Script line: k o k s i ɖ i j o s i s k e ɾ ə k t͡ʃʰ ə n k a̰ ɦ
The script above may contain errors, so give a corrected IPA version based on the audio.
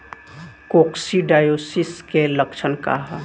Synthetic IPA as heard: k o k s i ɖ a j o s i s k e l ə k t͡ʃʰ ə n k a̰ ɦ